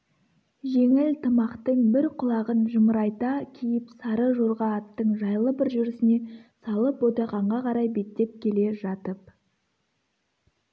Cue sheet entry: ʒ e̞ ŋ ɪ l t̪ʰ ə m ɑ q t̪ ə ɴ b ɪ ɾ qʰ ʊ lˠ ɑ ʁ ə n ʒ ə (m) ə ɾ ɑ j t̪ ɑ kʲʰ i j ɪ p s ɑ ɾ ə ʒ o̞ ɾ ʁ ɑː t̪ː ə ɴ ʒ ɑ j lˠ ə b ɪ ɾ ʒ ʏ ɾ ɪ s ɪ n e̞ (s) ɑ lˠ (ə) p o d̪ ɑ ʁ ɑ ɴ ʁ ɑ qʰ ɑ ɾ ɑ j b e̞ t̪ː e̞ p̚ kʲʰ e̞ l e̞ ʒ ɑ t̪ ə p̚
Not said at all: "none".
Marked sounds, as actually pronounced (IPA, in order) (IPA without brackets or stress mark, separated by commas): m, s, ə